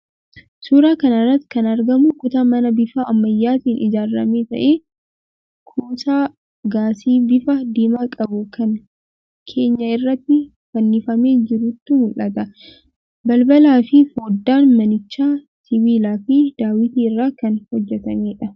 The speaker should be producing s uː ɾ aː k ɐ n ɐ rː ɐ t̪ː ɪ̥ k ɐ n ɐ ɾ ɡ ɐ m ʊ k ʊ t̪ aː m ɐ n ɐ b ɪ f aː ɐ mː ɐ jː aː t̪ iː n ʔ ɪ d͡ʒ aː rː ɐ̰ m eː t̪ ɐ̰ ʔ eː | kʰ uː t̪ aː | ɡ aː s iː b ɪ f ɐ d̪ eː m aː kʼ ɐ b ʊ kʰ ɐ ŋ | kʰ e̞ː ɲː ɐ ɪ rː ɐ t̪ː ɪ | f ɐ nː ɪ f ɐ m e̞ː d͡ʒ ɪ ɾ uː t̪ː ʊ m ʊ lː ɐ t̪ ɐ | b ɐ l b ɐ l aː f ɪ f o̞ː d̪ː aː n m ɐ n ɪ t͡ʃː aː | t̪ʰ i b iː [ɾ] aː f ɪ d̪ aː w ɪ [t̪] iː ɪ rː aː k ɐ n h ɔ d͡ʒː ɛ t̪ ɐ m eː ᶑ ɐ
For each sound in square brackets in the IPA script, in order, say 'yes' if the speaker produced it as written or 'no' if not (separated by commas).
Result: no, yes